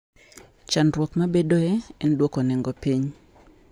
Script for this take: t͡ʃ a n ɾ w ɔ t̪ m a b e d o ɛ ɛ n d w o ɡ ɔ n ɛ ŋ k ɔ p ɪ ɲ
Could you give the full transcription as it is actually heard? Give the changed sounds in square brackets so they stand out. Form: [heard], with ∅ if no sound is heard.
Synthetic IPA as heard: t͡ʃ a n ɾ w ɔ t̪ m a b e d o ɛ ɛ n d w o [k] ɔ n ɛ ŋ [ɡ] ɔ p [i] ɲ